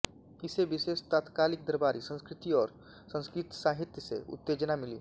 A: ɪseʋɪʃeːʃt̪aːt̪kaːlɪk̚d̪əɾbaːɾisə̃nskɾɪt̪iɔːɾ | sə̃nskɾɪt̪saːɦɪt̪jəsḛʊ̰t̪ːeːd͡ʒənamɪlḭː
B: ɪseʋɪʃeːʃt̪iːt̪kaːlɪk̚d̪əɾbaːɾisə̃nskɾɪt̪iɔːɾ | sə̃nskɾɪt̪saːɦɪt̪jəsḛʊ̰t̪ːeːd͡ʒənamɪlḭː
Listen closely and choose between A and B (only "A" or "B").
A